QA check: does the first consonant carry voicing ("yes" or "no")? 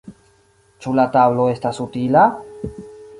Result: no